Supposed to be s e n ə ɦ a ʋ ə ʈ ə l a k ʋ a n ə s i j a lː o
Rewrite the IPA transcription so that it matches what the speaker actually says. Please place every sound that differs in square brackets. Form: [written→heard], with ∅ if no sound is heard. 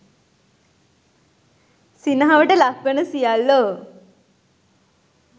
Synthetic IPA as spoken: s [e→i] n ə ɦ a ʋ ə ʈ ə l a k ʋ [a→ə] n ə s i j a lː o